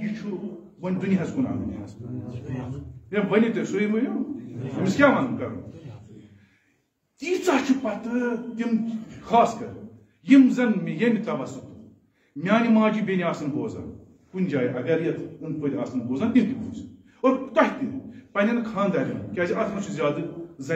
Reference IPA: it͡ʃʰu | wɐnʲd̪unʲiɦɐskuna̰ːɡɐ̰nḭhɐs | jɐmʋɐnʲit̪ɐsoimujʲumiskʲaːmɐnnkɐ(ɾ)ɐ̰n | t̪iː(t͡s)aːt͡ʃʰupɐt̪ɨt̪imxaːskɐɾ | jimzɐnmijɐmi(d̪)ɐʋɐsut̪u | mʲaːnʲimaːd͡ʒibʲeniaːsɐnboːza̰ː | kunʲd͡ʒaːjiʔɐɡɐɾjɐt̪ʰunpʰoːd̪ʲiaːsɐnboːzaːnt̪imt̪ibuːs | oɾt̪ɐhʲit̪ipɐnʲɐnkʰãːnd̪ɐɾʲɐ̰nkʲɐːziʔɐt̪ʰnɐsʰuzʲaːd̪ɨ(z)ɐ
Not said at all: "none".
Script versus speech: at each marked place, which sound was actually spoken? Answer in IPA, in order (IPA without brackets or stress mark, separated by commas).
ɾ, t͡s, t̪, z